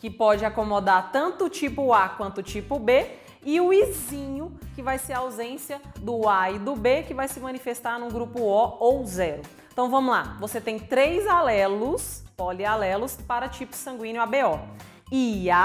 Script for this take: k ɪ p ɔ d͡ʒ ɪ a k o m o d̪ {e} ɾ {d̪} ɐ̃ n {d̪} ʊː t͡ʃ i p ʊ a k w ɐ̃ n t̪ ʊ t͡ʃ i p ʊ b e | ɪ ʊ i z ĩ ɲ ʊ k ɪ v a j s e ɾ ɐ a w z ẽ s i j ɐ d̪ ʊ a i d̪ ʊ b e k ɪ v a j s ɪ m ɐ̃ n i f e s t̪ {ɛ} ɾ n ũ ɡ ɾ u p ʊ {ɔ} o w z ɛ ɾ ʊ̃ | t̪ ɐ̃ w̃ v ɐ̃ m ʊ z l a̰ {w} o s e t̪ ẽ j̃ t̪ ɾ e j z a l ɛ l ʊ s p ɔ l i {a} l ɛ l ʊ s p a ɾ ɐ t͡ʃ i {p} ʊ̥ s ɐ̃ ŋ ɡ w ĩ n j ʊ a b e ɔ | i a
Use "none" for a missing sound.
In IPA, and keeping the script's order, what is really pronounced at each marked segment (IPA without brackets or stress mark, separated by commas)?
a, t̪, t̪, a, ɔ, v, a, p